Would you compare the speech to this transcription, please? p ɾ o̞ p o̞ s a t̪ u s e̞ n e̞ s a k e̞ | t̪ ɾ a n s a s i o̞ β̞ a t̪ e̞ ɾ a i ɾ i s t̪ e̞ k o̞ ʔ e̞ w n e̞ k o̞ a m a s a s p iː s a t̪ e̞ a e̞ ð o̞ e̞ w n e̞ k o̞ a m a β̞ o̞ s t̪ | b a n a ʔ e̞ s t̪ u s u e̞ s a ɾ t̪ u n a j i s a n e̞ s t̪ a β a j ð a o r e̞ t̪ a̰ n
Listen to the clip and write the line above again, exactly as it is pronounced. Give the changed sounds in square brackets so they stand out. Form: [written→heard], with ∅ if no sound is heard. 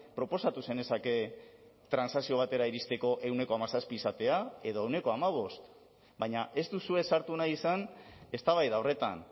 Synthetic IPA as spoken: p ɾ o̞ p o̞ s a t̪ u s e̞ n e̞ s a k e̞ | t̪ ɾ a n s a s i o̞ β̞ a t̪ e̞ ɾ a i ɾ i s t̪ e̞ k o̞ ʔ e̞ w n e̞ k o̞ a m a s a s p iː s a t̪ e̞ a e̞ ð o̞ e̞ w n e̞ k o̞ a m a β̞ o̞ s t̪ | b a [n→ɲ] a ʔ e̞ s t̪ u s u e̞ s a ɾ t̪ u n a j i s a n e̞ s t̪ a β a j ð a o r e̞ t̪ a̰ n